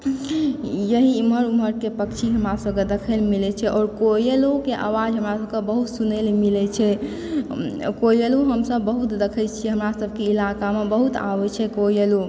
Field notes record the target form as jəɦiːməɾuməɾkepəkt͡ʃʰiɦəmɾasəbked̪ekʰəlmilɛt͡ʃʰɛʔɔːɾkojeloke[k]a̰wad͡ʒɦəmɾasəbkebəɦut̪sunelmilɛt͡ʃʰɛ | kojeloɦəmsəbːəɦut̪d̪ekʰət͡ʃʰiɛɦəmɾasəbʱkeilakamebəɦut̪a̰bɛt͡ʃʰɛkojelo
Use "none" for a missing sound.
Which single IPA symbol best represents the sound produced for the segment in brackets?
ʔ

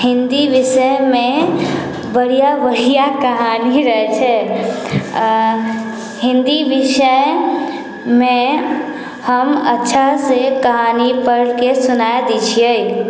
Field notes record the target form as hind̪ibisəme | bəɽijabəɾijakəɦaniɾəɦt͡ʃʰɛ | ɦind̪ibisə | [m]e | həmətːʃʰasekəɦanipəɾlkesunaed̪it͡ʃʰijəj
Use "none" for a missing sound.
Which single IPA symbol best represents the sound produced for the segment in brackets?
m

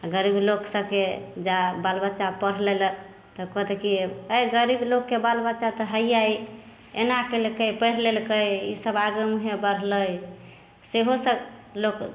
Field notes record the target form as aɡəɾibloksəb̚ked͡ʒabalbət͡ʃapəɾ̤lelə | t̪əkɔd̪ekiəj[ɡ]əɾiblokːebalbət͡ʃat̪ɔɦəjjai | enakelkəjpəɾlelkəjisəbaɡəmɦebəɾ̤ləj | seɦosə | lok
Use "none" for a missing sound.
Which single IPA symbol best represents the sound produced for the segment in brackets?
ɡ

